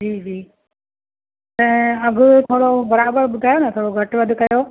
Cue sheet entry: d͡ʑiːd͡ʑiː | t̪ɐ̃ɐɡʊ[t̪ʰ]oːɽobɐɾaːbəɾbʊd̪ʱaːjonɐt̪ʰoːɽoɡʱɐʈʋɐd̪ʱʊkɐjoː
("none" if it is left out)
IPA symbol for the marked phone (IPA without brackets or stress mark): t̪ʰ